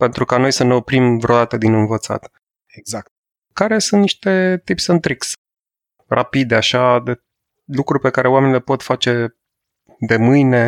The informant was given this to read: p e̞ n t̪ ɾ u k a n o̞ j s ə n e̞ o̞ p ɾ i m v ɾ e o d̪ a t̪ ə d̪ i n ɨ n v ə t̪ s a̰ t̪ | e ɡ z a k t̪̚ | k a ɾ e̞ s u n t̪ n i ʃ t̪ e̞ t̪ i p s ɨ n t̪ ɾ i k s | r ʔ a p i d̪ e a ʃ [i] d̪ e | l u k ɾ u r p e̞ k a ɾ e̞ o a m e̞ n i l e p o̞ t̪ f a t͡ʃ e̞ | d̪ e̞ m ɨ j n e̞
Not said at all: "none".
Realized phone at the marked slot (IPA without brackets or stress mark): a